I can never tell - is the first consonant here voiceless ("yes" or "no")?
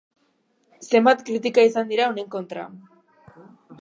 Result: yes